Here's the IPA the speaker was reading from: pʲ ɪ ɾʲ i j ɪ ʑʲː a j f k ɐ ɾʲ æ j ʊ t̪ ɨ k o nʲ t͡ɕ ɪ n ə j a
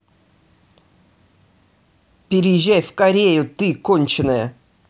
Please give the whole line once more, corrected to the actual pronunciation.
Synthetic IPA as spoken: pʲ ɪ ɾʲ ɪ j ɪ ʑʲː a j f k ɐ ɾʲ e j ʊ t̪ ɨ k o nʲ t͡ɕ ɪ n ə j ə